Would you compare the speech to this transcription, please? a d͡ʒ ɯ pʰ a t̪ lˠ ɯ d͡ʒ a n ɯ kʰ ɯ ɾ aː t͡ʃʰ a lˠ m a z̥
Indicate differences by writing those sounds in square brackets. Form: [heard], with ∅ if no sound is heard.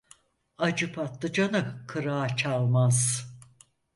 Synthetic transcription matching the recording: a d͡ʒ ɯ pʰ a t̪ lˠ ɯ d͡ʒ a n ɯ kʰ ɯ ɾ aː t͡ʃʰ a lˠ m a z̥